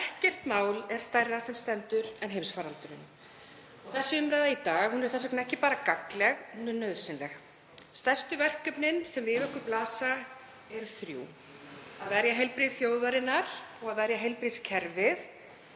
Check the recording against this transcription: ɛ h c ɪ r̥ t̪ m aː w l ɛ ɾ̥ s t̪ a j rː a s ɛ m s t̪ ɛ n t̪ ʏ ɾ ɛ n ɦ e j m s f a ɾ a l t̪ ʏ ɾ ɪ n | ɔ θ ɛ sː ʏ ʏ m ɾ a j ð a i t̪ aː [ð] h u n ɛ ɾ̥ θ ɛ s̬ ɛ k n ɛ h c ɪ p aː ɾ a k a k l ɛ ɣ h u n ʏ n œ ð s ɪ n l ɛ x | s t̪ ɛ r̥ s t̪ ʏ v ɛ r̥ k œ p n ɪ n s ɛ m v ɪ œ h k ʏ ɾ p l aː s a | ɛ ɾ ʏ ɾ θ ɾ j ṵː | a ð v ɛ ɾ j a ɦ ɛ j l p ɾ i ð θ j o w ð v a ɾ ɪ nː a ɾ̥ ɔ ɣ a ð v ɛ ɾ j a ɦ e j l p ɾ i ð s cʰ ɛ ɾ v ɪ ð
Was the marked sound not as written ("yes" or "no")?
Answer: yes